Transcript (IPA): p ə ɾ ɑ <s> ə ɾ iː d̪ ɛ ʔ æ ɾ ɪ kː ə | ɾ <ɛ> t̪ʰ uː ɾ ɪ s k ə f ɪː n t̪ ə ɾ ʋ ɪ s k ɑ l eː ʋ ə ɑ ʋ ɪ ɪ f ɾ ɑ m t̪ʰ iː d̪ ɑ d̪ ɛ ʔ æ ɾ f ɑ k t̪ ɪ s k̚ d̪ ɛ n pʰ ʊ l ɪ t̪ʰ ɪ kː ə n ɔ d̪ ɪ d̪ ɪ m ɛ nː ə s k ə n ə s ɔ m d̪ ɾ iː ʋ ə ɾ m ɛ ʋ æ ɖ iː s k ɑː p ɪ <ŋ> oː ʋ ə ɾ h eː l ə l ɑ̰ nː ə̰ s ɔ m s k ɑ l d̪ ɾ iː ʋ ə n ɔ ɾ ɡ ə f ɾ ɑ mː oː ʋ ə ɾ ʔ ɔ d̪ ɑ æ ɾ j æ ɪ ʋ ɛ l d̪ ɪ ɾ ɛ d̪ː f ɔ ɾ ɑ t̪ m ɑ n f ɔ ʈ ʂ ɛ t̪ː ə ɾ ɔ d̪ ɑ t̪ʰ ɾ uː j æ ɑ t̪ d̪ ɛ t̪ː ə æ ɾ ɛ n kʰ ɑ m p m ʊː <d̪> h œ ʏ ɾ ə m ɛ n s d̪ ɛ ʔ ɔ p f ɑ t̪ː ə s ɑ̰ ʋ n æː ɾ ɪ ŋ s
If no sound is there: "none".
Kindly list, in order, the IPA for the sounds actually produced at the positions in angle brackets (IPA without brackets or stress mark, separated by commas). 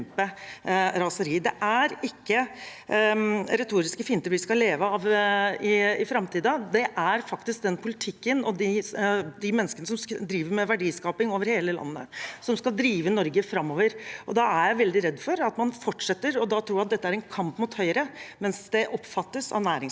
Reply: s, ɛ, ŋ, t̪